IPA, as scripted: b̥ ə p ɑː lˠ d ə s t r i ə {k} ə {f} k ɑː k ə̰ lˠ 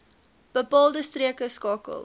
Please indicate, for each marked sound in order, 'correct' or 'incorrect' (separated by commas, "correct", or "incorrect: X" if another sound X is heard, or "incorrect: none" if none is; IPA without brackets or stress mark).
correct, incorrect: s